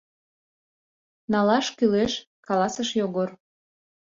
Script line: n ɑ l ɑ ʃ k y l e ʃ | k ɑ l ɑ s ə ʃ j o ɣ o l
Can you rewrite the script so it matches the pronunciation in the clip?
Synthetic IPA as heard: n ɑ l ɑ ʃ k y l e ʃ | k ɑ l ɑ s ə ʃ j o ɣ o r